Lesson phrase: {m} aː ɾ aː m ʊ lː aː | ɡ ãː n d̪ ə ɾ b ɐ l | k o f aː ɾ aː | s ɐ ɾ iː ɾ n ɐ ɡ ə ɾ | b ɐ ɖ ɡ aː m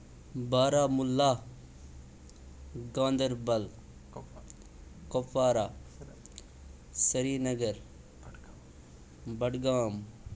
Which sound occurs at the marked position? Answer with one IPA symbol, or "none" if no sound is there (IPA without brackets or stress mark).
b